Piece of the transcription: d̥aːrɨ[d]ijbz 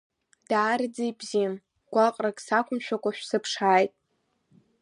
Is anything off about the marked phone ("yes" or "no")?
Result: yes